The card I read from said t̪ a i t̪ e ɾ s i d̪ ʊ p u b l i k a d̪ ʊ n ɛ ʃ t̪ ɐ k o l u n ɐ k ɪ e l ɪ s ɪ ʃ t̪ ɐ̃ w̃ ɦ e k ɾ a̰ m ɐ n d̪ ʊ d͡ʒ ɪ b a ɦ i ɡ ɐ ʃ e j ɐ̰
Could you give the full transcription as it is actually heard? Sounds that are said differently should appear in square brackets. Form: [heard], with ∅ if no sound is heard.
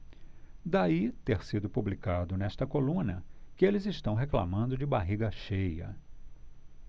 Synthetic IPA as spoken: [d̪] a i t̪ e ɾ s i d̪ ʊ p u b l i k a d̪ ʊ n ɛ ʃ t̪ ɐ k o l [ũ] n ɐ k ɪ e l ɪ [z] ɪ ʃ t̪ ɐ̃ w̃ ɦ e k [l] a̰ m [ɐ̃] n d̪ ʊ d͡ʒ ɪ b a ɦ i ɡ ɐ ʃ e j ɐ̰